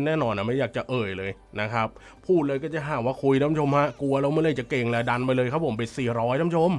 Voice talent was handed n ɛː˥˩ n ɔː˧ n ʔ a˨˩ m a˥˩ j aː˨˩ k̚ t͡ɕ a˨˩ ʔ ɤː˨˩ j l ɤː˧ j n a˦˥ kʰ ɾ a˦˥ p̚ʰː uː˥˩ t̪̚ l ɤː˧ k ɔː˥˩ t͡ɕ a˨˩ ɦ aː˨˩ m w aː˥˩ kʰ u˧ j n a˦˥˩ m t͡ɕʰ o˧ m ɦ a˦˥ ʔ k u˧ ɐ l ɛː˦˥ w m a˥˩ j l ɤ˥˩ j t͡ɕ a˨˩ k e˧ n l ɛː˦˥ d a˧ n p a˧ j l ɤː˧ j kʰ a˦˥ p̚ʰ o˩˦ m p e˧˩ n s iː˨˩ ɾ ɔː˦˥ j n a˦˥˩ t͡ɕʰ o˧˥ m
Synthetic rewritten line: n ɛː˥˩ n ɔː˧ n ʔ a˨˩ m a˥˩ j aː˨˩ k̚ t͡ɕ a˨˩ ʔ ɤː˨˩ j l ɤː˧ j n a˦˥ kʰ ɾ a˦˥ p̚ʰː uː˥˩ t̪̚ l ɤː˧ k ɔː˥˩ t͡ɕ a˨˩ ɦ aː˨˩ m w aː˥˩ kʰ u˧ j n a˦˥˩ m t͡ɕʰ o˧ m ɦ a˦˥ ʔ k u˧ ɐ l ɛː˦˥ w m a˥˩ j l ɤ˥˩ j t͡ɕ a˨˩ k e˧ ŋ l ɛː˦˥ d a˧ n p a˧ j l ɤː˧ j kʰ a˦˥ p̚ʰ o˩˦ m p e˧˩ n s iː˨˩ ɾ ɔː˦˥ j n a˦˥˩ t͡ɕʰ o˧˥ m

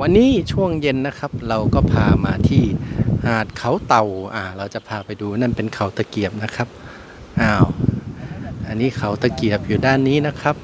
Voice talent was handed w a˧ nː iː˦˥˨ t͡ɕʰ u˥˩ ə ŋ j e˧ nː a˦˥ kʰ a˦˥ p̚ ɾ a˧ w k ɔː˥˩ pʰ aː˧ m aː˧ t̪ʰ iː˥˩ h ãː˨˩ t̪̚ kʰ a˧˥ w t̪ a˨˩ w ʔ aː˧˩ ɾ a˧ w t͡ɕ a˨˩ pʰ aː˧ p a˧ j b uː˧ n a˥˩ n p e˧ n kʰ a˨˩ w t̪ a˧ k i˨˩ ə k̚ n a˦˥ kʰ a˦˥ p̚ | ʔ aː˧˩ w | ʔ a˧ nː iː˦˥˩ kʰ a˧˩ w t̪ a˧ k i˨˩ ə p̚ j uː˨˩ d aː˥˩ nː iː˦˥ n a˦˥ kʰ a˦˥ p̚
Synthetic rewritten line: w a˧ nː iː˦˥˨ t͡ɕʰ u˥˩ ə ŋ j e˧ nː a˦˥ kʰ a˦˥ p̚ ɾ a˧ w k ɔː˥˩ pʰ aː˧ m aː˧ t̪ʰ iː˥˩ h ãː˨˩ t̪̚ kʰ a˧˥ w t̪ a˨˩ w ʔ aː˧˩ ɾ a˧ w t͡ɕ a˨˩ pʰ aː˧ p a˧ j d uː˧ n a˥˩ n p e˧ n kʰ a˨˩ w t̪ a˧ k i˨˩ ə p̚ n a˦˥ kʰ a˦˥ p̚ | ʔ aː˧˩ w | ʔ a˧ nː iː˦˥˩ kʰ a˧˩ w t̪ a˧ k i˨˩ ə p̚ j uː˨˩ d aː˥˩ nː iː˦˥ n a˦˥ kʰ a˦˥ p̚

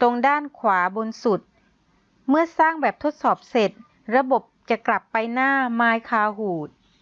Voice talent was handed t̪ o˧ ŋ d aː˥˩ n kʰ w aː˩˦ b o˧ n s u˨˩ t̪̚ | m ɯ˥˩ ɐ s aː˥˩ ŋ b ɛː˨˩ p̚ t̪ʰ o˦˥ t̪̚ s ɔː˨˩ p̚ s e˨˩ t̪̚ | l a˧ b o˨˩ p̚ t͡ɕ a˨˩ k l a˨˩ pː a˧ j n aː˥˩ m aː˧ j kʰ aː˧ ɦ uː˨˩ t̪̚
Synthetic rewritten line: t̪ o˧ ŋ d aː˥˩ n kʰ w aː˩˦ b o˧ n s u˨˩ t̪̚ | m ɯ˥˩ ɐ s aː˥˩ ŋ b ɛː˨˩ p̚ t̪ʰ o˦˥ t̪̚ s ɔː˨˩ p̚ s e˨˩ t̪̚ | ɾ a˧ b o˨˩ p̚ t͡ɕ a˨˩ k l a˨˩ pː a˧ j n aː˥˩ m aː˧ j kʰ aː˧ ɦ uː˨˩ t̪̚

